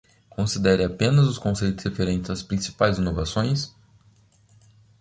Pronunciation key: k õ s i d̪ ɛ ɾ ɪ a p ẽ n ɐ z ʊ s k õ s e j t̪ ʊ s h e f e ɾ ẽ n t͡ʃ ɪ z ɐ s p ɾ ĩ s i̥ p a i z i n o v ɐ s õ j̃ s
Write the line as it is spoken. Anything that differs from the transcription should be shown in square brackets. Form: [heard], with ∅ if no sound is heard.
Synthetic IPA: k õ s i d̪ ɛ ɾ ɪ a p ẽ n ɐ z ʊ s k õ s e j t̪ ʊ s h e f e ɾ ẽ n t͡ʃ ɪ z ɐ s p ɾ ĩ s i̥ p a [j] z i n o v [a] s õ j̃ s